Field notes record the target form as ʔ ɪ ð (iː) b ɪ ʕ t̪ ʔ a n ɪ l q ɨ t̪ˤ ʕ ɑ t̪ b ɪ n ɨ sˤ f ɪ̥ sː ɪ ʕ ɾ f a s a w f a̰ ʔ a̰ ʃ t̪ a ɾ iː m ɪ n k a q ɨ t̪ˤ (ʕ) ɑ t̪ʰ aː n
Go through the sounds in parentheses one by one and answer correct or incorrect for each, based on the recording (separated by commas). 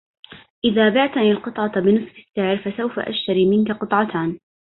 incorrect, correct